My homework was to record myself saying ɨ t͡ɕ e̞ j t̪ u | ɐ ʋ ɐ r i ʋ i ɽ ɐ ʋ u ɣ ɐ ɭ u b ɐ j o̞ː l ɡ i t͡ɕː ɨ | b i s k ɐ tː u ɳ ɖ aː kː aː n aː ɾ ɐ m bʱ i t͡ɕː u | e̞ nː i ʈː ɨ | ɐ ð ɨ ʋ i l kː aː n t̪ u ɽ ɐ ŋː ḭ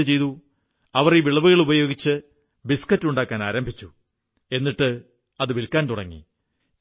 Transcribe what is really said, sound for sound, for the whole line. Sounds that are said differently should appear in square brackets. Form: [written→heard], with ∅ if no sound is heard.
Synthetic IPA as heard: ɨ t͡ɕ e̞ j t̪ u | ɐ ʋ ɐ r i ʋ i [ɽ→ɭ] ɐ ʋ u ɣ ɐ ɭ u b ɐ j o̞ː [l→∅] ɡ i t͡ɕː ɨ | b i s k ɐ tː u ɳ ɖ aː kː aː n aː ɾ ɐ m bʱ i t͡ɕː u | e̞ nː i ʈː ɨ | ɐ ð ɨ ʋ i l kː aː n t̪ u ɽ ɐ ŋː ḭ